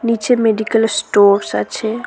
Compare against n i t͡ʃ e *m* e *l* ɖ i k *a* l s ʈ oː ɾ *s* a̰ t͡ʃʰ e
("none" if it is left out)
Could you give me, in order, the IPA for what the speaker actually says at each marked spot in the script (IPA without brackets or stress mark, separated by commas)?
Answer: m, none, ə, s